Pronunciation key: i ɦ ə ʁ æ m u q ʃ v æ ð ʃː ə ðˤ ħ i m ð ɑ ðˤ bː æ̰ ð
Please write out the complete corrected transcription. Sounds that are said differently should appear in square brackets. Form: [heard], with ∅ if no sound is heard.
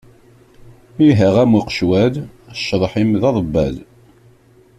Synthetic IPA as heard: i ɦ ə ʁ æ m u q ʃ [w] æ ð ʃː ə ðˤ ħ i m ð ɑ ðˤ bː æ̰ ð